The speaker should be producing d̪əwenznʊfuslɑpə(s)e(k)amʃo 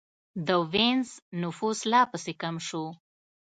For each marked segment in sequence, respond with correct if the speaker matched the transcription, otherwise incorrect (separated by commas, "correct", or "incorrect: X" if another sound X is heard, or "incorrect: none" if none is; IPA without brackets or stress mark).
correct, correct